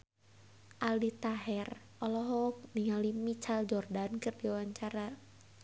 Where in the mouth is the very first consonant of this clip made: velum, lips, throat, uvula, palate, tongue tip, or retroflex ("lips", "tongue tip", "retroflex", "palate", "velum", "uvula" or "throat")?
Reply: throat